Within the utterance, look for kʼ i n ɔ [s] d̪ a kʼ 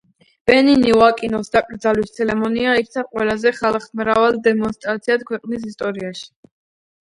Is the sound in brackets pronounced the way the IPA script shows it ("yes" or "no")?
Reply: yes